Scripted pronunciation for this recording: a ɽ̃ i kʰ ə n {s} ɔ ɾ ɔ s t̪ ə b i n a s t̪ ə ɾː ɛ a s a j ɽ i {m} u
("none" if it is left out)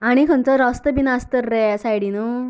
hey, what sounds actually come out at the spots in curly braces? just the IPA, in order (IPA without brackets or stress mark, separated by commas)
t͡s, n